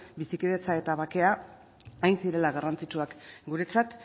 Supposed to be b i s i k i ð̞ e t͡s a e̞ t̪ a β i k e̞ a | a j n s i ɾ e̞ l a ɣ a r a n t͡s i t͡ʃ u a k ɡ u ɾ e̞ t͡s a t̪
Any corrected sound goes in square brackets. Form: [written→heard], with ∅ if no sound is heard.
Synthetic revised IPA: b i s i k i ð̞ e t͡s a e̞ t̪ a β [i→a] k e̞ a | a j n s i ɾ e̞ l a ɣ a r a n t͡s i t͡ʃ u a k ɡ u ɾ e̞ t͡s a t̪